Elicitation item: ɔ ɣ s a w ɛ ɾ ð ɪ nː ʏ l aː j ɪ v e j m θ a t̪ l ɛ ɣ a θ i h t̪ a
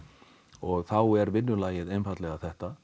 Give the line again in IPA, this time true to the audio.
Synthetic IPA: ɔ ɣ θ a w ɛ ɾ v ɪ nː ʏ l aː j ɪ ð e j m f a t̪ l ɛ ɣ a θ ɛ h t̪ a